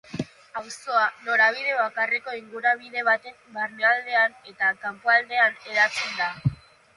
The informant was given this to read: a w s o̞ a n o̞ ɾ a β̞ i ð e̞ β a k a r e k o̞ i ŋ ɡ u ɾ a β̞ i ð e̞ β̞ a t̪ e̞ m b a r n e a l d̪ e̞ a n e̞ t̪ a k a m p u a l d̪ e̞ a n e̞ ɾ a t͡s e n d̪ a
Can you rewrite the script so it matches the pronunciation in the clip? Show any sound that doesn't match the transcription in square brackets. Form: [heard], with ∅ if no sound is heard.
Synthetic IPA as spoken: a w s o̞ a n o̞ ɾ a β̞ i ð e̞ β a k a r e k o̞ i ŋ ɡ u ɾ a β̞ i ð e̞ β̞ a t̪ e̞ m b a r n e a l d̪ e̞ a n e̞ t̪ a k a m p [o] a l d̪ e̞ a n e̞ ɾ a t͡s e n d̪ a

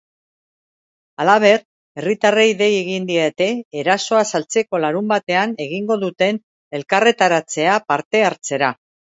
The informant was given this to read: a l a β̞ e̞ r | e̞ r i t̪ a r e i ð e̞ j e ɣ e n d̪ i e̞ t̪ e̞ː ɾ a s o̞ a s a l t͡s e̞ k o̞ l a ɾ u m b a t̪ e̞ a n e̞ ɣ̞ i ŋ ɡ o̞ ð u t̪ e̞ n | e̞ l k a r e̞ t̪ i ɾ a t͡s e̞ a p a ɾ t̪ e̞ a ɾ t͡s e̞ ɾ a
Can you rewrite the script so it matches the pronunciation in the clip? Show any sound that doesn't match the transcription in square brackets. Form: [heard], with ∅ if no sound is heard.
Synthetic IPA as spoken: a l a β̞ e̞ r | e̞ r i t̪ a r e i ð e̞ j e ɣ [i] n d̪ i e̞ t̪ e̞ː ɾ a s o̞ a s a l t͡s e̞ k o̞ l a ɾ u m b a t̪ e̞ a n e̞ ɣ̞ i ŋ ɡ o̞ ð u t̪ e̞ n | e̞ l k a r e̞ t̪ [a] ɾ a t͡s e̞ a p a ɾ t̪ e̞ a ɾ t͡s e̞ ɾ a

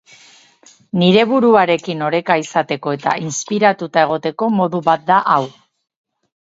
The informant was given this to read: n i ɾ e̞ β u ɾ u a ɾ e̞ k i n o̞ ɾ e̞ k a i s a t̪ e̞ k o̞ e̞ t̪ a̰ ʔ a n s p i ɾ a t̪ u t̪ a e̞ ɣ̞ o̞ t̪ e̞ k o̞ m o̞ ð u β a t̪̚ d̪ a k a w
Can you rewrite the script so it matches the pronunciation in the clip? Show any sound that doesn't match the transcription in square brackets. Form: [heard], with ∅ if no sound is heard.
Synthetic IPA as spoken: n i ɾ e̞ β u ɾ u a ɾ e̞ k i n o̞ ɾ e̞ k a i s a t̪ e̞ k o̞ e̞ t̪ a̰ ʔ [i] n s p i ɾ a t̪ u t̪ a e̞ ɣ̞ o̞ t̪ e̞ k o̞ m o̞ ð u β a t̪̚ d̪ a [ʔ] a w

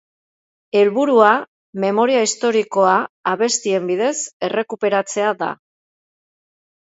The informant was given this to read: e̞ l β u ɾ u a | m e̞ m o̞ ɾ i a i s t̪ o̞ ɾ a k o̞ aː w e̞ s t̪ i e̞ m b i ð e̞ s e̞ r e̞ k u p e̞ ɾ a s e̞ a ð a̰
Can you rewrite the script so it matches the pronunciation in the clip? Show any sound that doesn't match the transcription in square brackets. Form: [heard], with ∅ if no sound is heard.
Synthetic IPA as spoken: e̞ l β u ɾ u a | m e̞ m o̞ ɾ i a i s t̪ o̞ ɾ [i] k o̞ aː [β] e̞ s t̪ i e̞ m b i ð e̞ s e̞ r e̞ k u p e̞ ɾ a [t͡s] e̞ a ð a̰

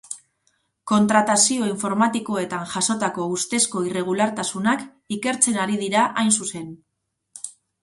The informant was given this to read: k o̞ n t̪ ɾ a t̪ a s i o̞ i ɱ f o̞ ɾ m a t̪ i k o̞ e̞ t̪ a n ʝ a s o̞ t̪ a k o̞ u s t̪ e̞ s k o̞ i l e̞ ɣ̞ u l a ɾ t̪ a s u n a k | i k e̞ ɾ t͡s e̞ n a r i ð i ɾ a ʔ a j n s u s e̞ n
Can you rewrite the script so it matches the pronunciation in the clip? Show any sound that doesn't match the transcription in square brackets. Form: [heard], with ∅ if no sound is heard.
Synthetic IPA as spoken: k o̞ n t̪ ɾ a t̪ a s i o̞ i ɱ f o̞ ɾ m a t̪ i k o̞ e̞ t̪ a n ʝ a s o̞ t̪ a k o̞ u s t̪ e̞ s k o̞ i [r] e̞ ɣ̞ u l a ɾ t̪ a s u n a k | i k e̞ ɾ t͡s e̞ n a [ɾ] i ð i ɾ a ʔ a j n s u s e̞ n

